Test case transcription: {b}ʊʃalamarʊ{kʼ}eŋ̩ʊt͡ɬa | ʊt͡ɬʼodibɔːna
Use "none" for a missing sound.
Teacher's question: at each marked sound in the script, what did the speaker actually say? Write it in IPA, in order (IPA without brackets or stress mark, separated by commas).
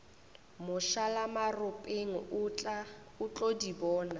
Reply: m, pʼ